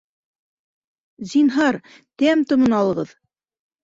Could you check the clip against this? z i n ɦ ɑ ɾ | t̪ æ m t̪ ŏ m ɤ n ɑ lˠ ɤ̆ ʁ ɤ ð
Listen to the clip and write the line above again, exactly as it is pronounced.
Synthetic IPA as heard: z i n ɦ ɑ ɾ | t̪ æ m t̪ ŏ m ɤ n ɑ lˠ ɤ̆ ʁ ɤ ð